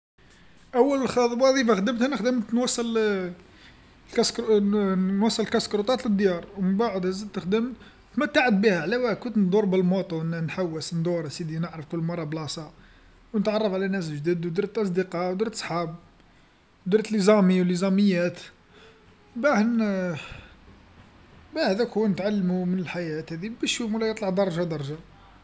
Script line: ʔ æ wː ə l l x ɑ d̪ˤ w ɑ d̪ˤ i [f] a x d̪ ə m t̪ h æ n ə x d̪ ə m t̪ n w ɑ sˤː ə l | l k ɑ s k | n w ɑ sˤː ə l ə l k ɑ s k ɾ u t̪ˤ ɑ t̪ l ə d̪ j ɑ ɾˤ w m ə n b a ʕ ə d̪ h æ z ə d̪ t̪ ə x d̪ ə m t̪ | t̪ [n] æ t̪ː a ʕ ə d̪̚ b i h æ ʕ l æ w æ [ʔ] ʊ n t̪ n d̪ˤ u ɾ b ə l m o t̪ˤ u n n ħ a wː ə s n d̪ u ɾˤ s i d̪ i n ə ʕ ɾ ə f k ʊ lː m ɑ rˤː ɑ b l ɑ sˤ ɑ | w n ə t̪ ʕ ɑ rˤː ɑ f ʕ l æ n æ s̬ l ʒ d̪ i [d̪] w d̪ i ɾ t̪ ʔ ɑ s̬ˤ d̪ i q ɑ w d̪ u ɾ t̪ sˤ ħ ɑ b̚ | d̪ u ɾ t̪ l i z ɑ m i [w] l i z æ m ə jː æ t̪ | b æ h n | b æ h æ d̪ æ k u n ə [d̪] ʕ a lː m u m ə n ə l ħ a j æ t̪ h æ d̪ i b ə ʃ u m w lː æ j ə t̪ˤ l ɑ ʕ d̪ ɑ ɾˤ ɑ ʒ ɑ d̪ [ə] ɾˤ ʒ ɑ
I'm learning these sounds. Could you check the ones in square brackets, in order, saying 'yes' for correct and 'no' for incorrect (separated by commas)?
yes, no, no, yes, yes, no, no